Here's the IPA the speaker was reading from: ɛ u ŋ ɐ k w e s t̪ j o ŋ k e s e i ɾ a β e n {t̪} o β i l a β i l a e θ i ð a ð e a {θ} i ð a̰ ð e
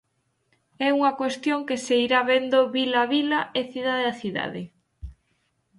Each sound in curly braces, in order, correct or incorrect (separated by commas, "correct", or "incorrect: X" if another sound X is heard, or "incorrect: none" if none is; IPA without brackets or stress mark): incorrect: d̪, correct